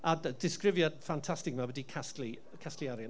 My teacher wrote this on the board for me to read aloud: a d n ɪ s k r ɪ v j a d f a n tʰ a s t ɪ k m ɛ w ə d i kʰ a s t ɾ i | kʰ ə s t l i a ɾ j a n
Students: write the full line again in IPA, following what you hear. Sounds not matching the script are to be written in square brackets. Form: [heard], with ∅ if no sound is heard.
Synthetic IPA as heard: a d [d] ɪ s k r ɪ v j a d f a n tʰ a s t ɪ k m [a] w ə d i kʰ a s t [l] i | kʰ [a] s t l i a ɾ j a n